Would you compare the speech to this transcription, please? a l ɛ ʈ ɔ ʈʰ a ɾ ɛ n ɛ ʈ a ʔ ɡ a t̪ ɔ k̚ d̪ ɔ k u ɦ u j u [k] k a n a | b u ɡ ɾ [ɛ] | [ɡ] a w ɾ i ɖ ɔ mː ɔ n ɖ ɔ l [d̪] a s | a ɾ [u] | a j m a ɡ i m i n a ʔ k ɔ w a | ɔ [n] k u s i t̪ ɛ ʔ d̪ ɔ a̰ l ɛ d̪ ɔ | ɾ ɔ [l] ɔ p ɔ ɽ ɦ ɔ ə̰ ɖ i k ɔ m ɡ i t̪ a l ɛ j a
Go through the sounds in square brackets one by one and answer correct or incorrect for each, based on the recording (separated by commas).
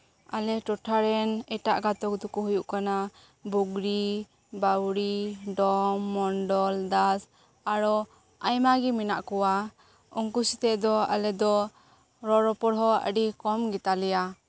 incorrect, incorrect, incorrect, correct, incorrect, incorrect, incorrect